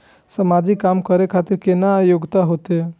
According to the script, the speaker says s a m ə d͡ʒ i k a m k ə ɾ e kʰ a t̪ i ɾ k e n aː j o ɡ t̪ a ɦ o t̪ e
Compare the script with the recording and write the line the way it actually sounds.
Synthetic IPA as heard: s ə m a d͡ʒ i k a m k ə ɾ e kʰ a t̪ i ɾ k e n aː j o ɡ t̪ a ɦ o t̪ e